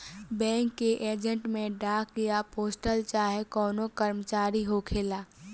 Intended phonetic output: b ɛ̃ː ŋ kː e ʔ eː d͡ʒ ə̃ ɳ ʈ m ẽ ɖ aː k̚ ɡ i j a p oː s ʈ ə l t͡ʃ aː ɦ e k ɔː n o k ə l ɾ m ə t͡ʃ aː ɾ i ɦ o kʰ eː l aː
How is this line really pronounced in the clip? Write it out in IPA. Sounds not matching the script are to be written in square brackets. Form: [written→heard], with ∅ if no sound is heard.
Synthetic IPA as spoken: b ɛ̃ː ŋ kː e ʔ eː d͡ʒ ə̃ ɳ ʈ m ẽ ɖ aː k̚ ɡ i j a p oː s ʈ ə l t͡ʃ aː ɦ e k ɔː n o k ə [l→∅] ɾ m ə t͡ʃ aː ɾ i ɦ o kʰ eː l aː